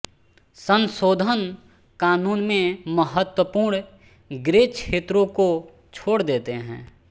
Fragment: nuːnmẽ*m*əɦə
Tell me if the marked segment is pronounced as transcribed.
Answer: yes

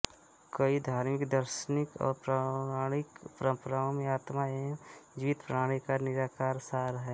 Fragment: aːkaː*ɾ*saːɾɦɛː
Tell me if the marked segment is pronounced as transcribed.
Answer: yes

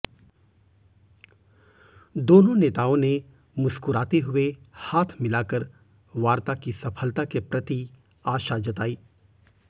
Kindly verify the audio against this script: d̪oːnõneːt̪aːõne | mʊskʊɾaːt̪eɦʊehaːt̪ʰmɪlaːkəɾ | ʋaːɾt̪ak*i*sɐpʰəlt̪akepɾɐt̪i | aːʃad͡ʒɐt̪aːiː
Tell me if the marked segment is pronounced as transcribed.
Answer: yes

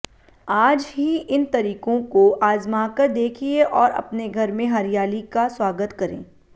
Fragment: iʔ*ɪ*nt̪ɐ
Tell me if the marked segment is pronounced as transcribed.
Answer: yes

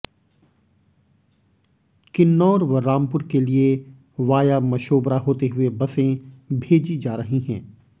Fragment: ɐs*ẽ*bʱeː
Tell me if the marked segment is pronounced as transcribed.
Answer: yes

